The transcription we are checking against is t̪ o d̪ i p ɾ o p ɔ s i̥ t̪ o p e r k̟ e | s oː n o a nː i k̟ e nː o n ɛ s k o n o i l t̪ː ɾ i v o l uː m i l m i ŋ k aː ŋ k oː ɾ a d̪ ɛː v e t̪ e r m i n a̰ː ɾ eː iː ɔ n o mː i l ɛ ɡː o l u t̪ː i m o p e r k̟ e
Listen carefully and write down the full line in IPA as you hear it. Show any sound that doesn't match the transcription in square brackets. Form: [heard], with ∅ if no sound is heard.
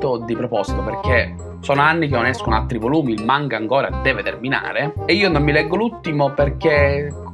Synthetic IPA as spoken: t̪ o d̪ i p ɾ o p ɔ s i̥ t̪ o p e r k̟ e | s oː n o a nː i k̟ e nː o n ɛ s k o n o [a] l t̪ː ɾ i v o l uː m i l m [a] ŋ k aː ŋ k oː ɾ a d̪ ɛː v e t̪ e r m i n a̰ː ɾ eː iː [o] n o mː i l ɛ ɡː o l u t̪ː i m o p e r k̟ e